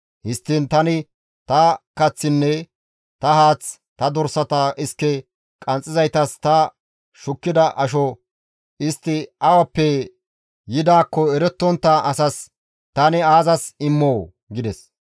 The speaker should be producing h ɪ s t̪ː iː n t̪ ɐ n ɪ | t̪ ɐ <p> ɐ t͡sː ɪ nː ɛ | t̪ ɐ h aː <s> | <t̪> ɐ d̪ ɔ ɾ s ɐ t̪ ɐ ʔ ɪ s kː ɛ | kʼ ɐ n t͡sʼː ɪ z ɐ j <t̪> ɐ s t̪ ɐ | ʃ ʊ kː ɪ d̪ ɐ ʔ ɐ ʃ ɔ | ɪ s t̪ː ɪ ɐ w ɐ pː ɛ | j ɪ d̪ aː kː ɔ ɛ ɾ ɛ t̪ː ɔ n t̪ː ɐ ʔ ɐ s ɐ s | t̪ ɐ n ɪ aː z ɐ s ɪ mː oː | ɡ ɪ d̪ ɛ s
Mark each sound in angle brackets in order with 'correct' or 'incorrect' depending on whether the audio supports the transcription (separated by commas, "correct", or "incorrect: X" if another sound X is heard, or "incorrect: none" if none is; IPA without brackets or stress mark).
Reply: incorrect: k, incorrect: t͡s, correct, correct